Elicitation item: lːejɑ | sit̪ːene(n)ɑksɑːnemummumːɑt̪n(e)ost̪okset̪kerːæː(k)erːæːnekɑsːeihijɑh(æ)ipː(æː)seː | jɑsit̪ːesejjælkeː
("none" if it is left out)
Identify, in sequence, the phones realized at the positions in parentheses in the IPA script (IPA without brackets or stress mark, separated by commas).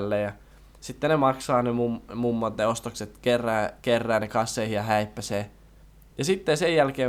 m, e, k, æ, æ